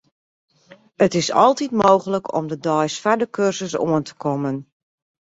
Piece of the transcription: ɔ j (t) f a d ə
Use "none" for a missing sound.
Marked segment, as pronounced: s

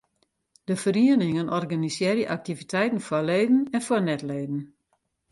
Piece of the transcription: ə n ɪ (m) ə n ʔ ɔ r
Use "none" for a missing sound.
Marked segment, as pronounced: ŋ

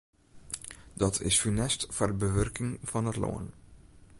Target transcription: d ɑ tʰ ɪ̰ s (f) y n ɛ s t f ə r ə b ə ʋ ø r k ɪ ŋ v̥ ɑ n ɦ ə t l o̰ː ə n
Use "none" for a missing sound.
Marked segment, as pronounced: f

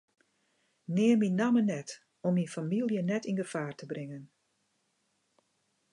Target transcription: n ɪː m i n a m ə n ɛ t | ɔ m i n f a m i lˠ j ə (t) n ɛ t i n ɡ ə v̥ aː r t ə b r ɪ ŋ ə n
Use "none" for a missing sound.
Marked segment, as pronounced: none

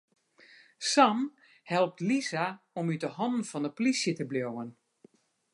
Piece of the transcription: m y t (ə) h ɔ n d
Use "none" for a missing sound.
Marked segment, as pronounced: ə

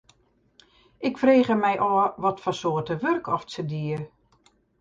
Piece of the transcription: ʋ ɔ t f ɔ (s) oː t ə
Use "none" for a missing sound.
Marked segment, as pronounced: s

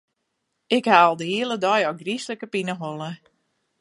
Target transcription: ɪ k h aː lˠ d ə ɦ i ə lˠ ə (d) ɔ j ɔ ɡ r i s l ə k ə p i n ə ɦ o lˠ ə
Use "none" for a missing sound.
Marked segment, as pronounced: d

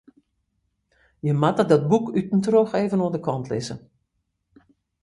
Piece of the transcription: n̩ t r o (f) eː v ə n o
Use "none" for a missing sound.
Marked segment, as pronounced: x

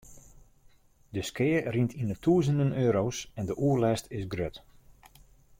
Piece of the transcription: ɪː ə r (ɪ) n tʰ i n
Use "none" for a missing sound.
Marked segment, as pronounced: i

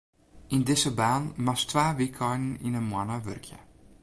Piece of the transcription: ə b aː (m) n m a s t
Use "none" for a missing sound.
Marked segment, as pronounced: none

